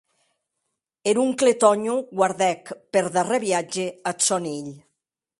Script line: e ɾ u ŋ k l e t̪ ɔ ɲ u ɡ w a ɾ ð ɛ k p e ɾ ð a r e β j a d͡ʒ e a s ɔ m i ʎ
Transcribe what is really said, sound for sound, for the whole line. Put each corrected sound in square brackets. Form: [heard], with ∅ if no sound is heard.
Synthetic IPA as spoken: e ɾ u ŋ k l e t̪ ɔ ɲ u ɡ w a ɾ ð ɛ k p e ɾ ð a r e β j a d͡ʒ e a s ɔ [n] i ʎ